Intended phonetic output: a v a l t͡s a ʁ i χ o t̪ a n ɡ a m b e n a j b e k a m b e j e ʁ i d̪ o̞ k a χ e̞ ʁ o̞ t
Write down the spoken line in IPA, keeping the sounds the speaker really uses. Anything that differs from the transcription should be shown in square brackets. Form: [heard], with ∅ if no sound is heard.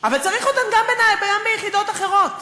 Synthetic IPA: a v a l t͡s a ʁ i χ o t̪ a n ɡ a m b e n a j b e [ɡ] a m b e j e [χ] i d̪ o̞ [t] a χ e̞ ʁ o̞ t